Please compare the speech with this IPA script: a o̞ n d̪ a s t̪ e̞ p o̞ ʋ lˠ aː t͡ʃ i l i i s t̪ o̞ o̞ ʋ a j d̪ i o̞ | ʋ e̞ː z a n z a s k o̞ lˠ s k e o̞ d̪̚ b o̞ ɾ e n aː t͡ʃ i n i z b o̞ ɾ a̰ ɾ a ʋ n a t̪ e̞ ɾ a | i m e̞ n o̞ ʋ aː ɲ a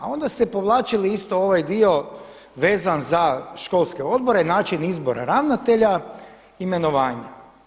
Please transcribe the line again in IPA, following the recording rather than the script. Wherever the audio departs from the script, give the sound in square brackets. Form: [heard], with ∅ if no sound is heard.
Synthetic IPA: a o̞ n d̪ a s t̪ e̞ p o̞ ʋ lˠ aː t͡ʃ i l i i s t̪ o̞ o̞ ʋ a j d̪ i o̞ | ʋ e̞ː z a n z a [ʃ] k o̞ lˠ s k e o̞ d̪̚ b o̞ ɾ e n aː t͡ʃ i n i z b o̞ ɾ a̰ ɾ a ʋ n a t̪ e̞ [ʎ] a | i m e̞ n o̞ ʋ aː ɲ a